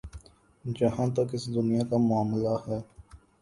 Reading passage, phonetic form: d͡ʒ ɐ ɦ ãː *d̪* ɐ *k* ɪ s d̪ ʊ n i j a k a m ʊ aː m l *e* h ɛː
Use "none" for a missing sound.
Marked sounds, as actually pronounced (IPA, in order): t̪, k, a

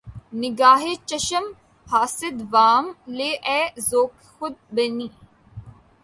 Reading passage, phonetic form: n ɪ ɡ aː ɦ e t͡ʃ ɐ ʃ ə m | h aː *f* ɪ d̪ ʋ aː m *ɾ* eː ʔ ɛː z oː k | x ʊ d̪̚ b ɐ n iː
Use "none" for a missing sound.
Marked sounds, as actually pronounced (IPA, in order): s, l

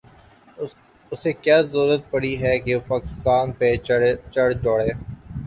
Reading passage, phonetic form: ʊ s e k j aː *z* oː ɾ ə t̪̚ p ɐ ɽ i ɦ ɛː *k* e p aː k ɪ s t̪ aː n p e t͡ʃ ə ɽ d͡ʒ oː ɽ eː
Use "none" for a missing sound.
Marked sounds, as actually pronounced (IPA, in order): z, k

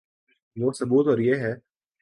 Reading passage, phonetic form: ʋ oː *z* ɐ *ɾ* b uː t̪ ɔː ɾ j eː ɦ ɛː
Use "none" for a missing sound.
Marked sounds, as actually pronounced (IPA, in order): s, none

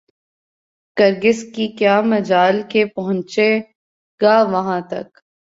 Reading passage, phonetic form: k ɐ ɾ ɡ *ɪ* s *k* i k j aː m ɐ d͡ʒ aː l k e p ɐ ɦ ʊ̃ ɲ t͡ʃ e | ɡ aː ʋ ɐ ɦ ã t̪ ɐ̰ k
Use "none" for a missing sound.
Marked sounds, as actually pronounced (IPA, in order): ɪ, k

